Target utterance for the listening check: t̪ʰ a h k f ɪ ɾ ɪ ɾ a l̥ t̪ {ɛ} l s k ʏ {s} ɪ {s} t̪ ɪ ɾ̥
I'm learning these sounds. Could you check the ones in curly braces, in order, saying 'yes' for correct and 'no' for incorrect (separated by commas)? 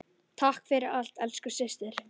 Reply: yes, yes, yes